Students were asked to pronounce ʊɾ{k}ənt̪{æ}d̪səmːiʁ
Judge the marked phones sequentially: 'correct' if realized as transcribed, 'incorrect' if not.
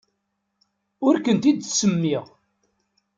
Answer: correct, incorrect

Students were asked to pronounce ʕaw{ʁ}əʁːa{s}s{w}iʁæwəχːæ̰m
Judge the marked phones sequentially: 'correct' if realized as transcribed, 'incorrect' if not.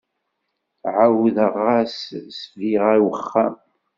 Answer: incorrect, correct, incorrect

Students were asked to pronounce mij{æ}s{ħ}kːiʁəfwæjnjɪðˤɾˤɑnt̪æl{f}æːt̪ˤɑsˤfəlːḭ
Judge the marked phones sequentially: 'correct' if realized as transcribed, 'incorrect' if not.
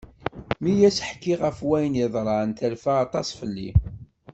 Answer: correct, correct, correct

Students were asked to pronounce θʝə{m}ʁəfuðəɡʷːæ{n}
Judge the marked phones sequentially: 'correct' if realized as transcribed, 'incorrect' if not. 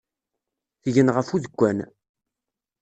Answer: incorrect, correct

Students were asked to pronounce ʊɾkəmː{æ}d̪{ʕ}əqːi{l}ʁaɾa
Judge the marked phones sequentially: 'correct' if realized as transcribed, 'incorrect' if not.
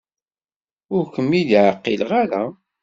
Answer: incorrect, correct, correct

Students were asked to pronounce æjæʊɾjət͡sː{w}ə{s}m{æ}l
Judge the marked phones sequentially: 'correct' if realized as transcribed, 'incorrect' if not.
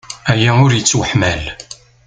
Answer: correct, incorrect, correct

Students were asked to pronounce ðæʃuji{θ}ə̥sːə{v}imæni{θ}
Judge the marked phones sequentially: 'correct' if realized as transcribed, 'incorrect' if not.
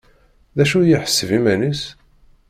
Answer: incorrect, correct, incorrect

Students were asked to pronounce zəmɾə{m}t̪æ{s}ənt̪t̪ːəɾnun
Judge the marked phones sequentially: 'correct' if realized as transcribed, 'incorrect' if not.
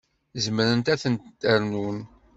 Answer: incorrect, incorrect

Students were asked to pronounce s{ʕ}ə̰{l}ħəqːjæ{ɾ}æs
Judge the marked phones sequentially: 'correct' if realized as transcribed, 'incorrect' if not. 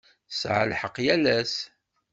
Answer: correct, correct, incorrect

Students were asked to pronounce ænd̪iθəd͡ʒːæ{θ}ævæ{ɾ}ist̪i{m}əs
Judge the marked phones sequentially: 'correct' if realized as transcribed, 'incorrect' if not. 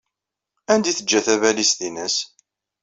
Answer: correct, incorrect, incorrect

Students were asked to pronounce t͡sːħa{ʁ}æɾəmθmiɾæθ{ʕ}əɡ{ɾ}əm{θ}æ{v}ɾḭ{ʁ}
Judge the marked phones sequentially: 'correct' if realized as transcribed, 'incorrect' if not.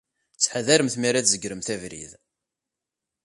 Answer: incorrect, incorrect, correct, correct, correct, incorrect

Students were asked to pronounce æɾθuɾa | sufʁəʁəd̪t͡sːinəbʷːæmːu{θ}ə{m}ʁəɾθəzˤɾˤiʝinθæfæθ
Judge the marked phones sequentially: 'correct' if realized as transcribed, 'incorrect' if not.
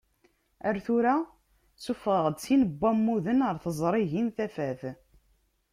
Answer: incorrect, incorrect

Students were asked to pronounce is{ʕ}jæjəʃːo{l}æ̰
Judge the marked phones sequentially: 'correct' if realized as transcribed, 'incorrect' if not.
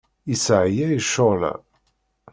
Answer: correct, correct

